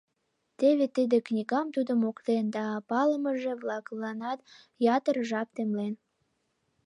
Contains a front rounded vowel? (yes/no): no